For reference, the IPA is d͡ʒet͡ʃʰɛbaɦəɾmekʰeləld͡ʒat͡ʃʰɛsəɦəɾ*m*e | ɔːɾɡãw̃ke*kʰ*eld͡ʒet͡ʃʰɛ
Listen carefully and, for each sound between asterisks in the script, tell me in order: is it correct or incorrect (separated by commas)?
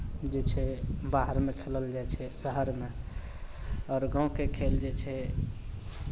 correct, correct